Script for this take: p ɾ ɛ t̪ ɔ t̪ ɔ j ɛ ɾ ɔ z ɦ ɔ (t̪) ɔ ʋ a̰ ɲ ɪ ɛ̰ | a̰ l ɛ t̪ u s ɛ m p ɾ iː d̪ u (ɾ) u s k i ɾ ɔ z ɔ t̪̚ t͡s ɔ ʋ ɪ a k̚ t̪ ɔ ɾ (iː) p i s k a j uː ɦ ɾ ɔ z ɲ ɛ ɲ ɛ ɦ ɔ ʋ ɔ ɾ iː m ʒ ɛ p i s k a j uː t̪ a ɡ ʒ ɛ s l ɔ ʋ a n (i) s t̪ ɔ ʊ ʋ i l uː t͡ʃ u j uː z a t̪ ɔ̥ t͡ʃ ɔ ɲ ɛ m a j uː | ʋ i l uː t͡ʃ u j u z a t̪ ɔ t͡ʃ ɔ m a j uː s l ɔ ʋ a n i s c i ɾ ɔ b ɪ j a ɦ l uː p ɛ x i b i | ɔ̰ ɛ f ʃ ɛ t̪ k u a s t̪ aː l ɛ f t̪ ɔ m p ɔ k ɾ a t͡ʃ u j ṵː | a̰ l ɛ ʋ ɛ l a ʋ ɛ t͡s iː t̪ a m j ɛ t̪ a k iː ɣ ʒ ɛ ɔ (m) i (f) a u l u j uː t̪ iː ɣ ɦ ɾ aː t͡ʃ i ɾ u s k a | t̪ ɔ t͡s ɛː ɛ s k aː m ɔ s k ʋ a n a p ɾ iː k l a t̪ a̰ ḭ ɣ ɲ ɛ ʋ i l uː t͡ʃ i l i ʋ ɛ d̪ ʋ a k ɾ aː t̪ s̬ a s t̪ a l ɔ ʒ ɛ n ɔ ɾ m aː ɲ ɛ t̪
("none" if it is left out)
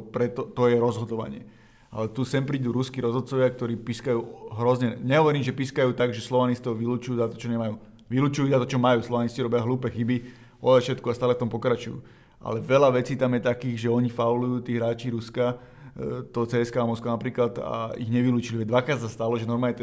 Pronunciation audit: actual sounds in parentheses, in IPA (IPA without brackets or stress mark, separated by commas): d̪, ɾ, iː, i, ɲ, f